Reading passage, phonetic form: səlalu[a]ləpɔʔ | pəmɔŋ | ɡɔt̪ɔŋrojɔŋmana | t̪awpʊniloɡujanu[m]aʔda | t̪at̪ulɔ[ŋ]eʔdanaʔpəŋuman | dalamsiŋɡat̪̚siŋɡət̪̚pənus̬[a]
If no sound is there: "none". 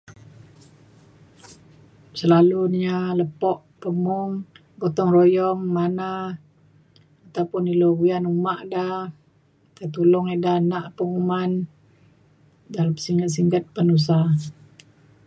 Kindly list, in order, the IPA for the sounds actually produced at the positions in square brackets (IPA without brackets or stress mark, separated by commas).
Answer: a, m, ŋ, a